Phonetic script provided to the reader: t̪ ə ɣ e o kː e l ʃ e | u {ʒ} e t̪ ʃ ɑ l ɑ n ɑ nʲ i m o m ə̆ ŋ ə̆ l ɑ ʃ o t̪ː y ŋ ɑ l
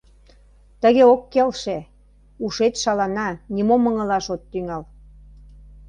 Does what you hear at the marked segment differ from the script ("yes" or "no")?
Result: yes